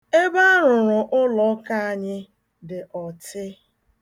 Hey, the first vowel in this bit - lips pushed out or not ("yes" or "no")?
no